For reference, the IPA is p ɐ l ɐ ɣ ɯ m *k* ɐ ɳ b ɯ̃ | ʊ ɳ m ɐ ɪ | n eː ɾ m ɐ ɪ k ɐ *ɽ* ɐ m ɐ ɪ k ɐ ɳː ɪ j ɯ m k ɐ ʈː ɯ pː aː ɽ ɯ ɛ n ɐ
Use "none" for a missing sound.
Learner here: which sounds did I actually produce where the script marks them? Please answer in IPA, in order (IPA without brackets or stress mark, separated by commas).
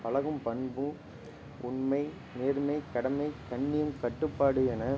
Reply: p, ɽ